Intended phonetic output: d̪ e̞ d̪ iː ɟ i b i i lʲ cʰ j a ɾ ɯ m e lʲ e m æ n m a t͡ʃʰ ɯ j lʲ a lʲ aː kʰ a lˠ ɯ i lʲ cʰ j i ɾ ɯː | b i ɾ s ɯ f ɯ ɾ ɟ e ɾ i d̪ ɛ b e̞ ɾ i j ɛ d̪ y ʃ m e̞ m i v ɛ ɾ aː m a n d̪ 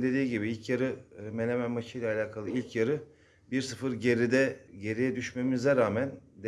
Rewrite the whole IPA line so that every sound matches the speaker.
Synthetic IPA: d̪ e̞ d̪ iː ɟ i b i i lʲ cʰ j a ɾ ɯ m e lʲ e m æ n m a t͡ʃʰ ɯ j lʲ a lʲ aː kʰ a lˠ ɯ i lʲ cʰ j a ɾ ɯ | b i ɾ s ɯ f ɯ ɾ ɟ e ɾ i d̪ ɛ ɟ e̞ ɾ i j ɛ d̪ y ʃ m e̞ m i z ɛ ɾ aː m æ n d̪